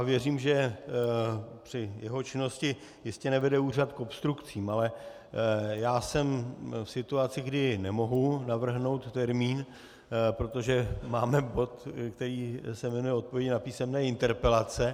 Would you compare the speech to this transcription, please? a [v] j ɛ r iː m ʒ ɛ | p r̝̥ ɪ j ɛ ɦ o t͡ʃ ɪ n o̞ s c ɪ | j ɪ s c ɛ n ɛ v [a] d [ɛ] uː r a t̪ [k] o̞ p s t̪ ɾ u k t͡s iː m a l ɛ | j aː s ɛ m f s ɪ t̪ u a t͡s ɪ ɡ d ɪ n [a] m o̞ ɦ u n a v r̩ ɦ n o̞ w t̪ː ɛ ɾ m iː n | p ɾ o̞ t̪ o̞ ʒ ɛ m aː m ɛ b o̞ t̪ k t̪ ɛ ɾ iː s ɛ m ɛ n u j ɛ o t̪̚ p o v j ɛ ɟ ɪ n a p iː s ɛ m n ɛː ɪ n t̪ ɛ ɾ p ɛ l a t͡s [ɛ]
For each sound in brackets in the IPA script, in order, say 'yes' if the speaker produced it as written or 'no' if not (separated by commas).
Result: yes, no, yes, yes, no, yes